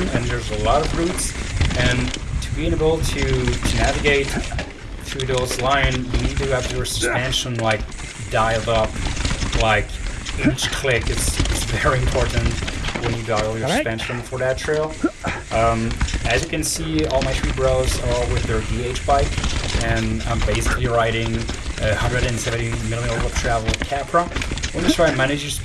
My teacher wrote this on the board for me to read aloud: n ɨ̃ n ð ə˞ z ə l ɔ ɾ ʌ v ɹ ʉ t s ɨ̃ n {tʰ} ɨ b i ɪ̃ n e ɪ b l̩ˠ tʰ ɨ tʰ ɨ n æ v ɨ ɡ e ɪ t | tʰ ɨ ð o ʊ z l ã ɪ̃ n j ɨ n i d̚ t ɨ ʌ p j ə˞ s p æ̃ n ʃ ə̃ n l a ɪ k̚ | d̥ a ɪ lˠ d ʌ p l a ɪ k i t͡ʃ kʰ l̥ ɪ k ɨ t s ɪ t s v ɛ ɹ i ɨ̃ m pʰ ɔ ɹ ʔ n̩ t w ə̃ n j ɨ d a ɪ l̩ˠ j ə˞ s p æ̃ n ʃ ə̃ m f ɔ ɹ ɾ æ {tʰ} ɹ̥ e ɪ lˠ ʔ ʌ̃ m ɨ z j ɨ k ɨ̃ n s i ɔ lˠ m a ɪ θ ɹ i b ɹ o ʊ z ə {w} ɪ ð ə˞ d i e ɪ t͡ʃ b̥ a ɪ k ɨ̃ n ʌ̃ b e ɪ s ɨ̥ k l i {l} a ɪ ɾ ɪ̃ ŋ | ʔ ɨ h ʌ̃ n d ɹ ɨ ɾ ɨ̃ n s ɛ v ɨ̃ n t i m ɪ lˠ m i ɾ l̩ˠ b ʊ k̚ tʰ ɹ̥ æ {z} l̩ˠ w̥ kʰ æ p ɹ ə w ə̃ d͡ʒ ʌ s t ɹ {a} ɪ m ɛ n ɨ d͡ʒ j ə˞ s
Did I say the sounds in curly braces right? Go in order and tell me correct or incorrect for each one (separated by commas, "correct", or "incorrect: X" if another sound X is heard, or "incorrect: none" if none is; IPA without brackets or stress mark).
correct, correct, correct, incorrect: ɹ, incorrect: v, correct